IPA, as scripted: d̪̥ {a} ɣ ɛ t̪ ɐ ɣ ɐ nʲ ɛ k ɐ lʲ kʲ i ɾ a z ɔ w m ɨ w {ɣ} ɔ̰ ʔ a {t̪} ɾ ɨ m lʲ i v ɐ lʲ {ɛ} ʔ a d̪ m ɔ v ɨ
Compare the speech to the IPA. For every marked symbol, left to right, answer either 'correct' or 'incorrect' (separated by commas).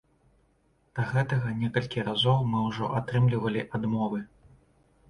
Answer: incorrect, incorrect, correct, incorrect